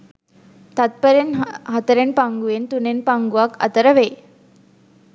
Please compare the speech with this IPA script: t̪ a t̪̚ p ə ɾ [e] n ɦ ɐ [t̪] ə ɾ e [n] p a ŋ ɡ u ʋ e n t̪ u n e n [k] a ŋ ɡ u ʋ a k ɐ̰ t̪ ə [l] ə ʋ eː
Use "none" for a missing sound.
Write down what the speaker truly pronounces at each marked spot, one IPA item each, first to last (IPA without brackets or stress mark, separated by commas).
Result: e, t̪, n, p, ɾ